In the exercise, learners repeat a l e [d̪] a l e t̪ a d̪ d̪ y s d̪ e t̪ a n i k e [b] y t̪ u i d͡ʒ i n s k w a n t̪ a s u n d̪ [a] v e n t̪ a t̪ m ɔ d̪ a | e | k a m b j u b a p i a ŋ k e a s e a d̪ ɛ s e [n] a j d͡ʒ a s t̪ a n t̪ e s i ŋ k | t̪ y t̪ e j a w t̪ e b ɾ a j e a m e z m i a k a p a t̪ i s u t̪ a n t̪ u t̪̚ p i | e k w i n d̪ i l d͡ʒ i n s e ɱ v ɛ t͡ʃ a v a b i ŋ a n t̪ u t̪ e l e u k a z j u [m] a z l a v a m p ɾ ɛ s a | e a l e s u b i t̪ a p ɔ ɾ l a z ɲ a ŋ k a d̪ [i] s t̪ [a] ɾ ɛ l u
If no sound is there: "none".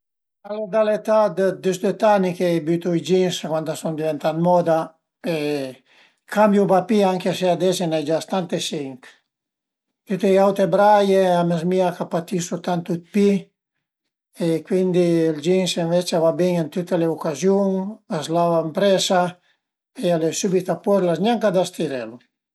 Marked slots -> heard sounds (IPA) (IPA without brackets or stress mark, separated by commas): d̪, b, i, n, ŋ, a, i